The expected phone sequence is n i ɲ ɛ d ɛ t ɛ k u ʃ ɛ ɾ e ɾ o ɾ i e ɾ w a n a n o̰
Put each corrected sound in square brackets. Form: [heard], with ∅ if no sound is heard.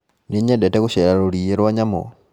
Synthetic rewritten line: n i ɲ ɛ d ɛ t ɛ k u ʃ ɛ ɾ [a] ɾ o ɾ i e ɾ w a [ɲ] a [m] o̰